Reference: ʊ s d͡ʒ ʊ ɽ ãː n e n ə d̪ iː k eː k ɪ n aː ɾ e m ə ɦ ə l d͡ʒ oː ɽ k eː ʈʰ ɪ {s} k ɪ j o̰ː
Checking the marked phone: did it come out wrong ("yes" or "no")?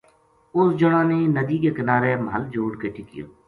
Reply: yes